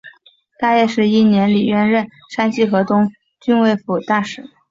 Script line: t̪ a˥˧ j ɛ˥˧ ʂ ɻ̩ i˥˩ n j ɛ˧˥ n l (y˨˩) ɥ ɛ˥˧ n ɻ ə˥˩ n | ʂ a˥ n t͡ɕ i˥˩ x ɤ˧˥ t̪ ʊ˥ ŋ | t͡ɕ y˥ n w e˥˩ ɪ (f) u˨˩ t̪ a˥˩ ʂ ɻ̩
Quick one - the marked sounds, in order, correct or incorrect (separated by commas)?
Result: incorrect, correct